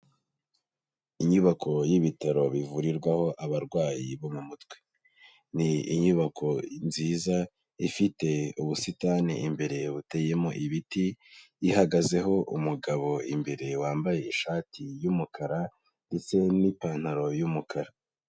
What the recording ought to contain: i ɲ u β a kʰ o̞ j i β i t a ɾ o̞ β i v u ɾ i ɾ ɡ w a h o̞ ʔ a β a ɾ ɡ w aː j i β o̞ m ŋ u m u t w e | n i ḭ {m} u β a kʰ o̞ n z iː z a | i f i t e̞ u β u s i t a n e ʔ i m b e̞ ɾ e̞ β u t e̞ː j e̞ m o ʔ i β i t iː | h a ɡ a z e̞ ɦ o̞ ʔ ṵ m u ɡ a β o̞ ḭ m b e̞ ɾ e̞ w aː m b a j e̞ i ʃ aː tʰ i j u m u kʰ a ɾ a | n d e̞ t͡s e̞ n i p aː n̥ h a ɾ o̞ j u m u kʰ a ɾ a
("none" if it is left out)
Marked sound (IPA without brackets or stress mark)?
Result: ɲ